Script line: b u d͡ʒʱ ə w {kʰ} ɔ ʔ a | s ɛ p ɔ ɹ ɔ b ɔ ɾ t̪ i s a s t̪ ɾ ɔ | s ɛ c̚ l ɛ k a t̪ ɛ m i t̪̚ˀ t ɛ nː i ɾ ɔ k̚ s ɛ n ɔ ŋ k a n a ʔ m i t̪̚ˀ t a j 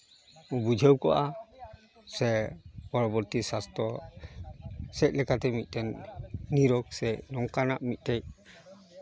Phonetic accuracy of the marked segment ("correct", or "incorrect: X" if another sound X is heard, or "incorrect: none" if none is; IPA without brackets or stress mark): incorrect: k